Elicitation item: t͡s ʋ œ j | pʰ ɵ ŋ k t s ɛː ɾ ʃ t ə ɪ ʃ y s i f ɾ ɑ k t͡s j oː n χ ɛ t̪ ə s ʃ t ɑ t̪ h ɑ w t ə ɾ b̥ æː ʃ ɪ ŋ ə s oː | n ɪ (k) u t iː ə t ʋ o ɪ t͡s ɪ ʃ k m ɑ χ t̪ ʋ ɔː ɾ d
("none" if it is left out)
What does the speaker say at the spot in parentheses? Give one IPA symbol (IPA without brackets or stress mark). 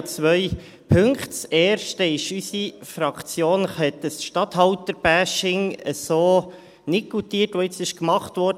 k